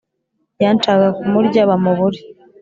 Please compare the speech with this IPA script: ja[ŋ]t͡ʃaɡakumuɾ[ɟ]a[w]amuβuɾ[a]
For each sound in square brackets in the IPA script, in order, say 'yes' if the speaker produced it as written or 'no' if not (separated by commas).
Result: no, yes, no, no